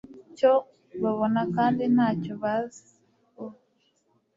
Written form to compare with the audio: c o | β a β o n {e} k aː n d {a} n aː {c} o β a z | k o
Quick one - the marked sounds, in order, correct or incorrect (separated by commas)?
incorrect, incorrect, correct